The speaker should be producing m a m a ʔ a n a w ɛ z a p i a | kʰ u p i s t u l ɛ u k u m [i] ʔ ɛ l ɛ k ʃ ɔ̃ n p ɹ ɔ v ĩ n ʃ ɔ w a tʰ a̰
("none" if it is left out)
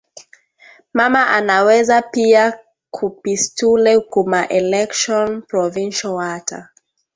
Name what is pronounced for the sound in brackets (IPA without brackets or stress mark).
a